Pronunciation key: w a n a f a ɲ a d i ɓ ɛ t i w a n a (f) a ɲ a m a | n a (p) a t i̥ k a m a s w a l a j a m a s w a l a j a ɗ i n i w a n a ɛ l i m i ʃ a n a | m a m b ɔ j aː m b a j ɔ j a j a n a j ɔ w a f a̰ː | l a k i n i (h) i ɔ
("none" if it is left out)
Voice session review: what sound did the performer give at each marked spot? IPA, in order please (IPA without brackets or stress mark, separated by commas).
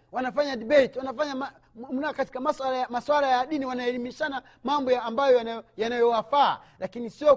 f, k, s